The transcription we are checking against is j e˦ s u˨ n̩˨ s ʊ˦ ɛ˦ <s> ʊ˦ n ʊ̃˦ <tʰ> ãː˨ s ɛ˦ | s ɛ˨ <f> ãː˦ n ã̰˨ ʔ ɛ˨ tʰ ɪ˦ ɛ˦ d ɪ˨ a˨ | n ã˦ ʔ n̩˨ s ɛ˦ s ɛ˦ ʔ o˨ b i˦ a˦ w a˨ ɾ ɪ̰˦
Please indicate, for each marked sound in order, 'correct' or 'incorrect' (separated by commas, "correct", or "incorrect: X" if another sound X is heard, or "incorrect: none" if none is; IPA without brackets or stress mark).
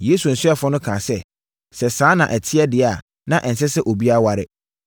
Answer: incorrect: f, incorrect: kʰ, incorrect: s